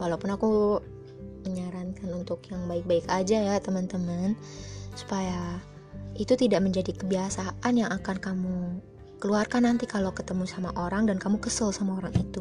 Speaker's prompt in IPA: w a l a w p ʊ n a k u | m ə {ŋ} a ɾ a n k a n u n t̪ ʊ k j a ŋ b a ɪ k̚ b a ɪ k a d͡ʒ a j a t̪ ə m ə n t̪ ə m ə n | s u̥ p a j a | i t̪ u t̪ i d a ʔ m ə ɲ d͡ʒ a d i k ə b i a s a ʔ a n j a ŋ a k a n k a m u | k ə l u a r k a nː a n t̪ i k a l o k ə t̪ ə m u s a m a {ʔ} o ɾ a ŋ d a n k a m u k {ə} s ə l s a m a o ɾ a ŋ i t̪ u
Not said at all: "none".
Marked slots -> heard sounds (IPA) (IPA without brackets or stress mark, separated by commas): ɲ, ʔ, ə